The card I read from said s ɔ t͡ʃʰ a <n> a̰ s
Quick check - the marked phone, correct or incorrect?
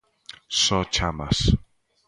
incorrect: m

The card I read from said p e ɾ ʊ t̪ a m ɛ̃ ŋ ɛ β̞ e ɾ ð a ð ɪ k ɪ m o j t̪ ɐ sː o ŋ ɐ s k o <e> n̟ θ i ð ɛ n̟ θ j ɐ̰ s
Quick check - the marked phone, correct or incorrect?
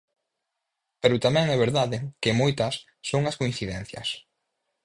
incorrect: i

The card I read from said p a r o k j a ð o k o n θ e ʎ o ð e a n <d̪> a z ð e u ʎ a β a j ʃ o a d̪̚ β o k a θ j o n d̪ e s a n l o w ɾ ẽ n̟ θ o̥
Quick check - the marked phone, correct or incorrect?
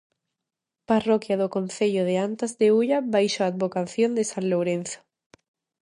incorrect: t̪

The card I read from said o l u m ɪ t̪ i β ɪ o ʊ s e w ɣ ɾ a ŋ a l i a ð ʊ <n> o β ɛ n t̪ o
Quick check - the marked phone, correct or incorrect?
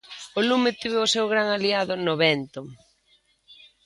correct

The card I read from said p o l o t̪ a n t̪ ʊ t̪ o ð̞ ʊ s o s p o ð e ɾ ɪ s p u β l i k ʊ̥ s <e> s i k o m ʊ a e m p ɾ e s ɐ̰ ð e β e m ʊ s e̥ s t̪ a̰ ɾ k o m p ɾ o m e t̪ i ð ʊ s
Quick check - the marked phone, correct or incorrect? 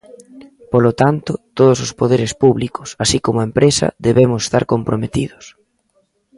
incorrect: a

